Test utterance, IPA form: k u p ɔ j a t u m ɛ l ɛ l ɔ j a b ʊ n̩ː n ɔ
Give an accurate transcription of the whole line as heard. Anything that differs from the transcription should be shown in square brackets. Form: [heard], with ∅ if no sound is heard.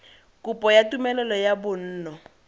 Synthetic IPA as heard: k u p ɔ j a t u m ɛ l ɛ l ɔ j a b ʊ n̩ː n ɔ